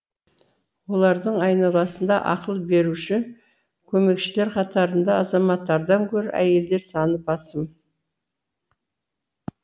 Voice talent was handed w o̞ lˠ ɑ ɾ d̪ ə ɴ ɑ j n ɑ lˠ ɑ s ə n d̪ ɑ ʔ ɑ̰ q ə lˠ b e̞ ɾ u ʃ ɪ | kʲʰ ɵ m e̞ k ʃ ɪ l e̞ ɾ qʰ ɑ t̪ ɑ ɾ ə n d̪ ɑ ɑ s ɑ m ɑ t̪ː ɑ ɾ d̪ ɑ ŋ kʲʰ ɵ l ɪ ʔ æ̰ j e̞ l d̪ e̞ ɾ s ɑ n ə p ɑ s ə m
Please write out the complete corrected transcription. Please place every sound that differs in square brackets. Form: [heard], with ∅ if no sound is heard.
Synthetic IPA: w o̞ lˠ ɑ ɾ d̪ ə ɴ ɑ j n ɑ lˠ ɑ s ə n d̪ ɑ ʔ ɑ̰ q ə lˠ b e̞ ɾ u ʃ ɪ | kʲʰ ɵ m e̞ k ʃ ɪ l e̞ ɾ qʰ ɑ t̪ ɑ ɾ ə n d̪ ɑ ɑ [z] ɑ m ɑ t̪ː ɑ ɾ d̪ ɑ ŋ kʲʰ ɵ [ɾ] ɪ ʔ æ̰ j e̞ l d̪ e̞ ɾ s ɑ n ə p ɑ s ə m